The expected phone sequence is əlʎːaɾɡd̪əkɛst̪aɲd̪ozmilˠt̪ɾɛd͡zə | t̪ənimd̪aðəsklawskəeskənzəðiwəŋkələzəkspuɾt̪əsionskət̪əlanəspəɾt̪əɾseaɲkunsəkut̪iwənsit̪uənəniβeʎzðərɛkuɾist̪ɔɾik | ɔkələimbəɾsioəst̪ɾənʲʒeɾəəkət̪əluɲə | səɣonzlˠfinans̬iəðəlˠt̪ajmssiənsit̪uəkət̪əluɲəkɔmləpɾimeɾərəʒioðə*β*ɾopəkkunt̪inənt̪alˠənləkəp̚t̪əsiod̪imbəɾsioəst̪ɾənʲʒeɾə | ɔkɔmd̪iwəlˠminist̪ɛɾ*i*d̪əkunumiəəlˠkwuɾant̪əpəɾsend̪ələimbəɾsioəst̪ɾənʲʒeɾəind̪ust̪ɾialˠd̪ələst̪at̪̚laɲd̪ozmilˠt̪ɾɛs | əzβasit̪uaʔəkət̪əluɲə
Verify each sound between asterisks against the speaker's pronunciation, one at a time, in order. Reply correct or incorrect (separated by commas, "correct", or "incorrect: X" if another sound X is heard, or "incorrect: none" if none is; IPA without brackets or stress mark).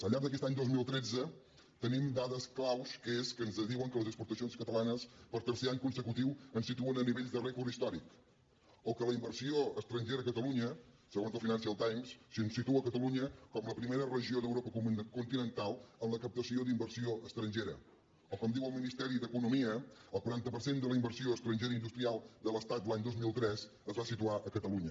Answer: incorrect: w, correct